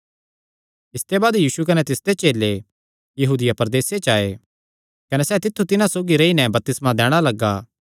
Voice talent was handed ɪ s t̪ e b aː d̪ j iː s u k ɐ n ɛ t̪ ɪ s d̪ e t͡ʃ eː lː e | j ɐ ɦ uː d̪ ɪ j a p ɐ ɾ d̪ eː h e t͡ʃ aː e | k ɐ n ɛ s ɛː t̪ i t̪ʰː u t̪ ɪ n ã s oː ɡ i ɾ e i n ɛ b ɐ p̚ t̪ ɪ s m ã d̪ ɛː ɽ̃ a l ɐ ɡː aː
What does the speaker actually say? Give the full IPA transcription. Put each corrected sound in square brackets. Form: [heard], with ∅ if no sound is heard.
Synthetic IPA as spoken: ɪ s t̪ e b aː d̪ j iː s u k ɐ n ɛ t̪ ɪ s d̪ e t͡ʃ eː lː e | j ɐ ɦ uː d̪ ɪ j a p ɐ ɾ d̪ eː [s] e t͡ʃ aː e | k ɐ n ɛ s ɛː t̪ [ɪ] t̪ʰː u t̪ ɪ n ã s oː ɡ i ɾ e i n ɛ b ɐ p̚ t̪ ɪ s m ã d̪ ɛː ɽ̃ a l ɐ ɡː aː